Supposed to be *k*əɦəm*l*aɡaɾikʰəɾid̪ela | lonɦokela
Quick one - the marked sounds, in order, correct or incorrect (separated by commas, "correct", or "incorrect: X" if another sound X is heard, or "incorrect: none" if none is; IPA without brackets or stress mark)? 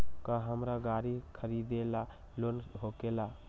correct, incorrect: ɾ